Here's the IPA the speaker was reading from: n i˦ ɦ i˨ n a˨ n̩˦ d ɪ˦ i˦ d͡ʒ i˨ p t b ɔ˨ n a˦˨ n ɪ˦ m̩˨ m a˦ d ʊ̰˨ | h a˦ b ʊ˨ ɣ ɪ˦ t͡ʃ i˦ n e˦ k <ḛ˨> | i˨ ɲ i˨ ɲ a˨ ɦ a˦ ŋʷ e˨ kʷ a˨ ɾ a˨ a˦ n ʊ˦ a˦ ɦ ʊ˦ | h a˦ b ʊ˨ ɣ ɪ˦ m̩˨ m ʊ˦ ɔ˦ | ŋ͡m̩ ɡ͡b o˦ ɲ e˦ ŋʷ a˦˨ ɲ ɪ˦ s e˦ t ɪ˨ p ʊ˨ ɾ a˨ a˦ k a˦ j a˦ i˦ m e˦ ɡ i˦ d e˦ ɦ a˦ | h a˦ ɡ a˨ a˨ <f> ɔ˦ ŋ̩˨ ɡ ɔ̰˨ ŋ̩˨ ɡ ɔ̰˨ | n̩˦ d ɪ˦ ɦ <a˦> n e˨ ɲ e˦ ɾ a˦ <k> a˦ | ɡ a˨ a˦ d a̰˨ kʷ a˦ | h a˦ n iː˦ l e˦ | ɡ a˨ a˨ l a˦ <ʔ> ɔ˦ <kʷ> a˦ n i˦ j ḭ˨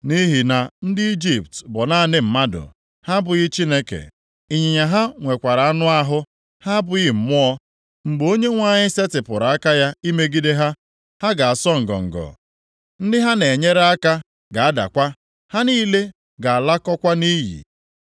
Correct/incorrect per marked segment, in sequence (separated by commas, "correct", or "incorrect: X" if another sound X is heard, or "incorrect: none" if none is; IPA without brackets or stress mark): correct, incorrect: s, correct, correct, incorrect: k, correct